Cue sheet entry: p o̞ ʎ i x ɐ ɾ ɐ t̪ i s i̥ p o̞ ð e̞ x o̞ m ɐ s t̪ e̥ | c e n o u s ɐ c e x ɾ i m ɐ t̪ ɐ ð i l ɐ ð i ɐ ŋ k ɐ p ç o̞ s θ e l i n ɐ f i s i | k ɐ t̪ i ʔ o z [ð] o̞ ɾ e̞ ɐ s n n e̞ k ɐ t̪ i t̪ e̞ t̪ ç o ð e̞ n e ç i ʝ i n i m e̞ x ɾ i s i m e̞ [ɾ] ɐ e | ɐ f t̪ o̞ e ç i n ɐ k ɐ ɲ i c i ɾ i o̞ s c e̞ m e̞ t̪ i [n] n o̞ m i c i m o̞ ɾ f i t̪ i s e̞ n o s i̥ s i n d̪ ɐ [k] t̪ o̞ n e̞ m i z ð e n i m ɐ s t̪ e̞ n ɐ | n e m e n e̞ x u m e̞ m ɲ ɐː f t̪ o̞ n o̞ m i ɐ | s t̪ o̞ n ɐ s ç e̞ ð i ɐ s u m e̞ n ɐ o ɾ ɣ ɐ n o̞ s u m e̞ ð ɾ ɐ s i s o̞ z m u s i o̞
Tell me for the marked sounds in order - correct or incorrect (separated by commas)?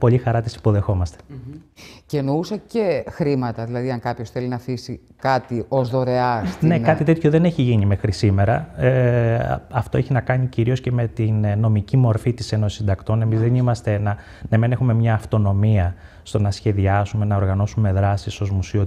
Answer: correct, correct, correct, correct